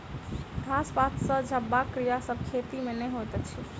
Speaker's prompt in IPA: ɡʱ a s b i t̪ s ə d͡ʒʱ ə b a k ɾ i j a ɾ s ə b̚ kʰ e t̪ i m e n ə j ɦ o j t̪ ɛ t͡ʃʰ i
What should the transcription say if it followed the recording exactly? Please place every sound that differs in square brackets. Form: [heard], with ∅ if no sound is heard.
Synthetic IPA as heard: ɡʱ a s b [a] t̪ s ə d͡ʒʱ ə b a k ɾ i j a [∅] s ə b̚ kʰ e t̪ i m e n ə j ɦ o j t̪ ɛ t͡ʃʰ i